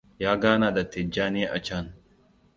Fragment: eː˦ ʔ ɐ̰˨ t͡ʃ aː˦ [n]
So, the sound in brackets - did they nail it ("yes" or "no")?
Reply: yes